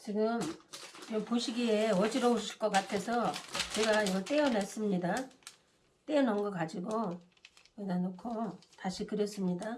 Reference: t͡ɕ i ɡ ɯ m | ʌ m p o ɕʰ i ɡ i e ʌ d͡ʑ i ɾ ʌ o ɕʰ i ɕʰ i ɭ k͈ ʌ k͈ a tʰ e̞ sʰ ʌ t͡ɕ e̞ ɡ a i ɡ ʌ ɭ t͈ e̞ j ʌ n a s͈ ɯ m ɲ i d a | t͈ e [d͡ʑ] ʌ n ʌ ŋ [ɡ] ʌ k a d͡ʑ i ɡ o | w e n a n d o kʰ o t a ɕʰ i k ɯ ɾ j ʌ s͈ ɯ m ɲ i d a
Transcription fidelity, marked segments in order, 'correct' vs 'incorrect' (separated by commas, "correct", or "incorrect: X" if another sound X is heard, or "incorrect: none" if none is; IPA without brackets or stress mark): incorrect: none, correct